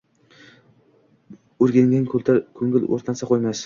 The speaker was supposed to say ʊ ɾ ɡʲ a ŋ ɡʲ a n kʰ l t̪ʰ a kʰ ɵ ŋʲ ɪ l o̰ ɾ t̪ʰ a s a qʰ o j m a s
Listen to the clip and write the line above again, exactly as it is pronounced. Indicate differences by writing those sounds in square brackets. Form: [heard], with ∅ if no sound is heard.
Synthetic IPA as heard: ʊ ɾ ɡʲ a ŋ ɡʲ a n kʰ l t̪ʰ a kʰ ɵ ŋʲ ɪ l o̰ ɾ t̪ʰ a s a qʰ o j m a s